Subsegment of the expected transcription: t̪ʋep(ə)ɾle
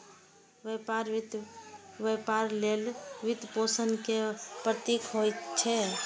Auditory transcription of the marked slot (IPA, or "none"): a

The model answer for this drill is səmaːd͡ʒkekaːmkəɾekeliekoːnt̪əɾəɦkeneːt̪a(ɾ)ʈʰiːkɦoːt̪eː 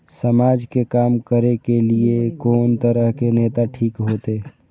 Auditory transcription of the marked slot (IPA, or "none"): none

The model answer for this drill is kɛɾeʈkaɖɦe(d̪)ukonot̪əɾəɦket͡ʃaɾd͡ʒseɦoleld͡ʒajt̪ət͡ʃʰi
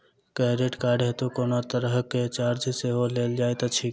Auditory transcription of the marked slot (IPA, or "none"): t̪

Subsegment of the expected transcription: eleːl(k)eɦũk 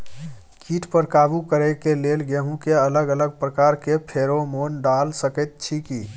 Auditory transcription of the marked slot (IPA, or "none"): ɡ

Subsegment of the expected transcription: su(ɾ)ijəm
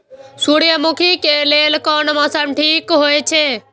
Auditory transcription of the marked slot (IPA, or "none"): ɽ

